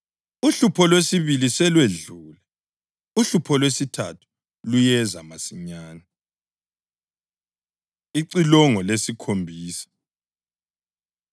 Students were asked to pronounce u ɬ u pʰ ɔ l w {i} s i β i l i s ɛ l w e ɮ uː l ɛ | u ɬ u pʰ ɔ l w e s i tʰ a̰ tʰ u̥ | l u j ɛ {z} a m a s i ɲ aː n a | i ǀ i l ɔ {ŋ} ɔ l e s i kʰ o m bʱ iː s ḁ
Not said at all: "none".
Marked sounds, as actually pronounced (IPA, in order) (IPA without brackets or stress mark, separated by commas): e, z, ŋ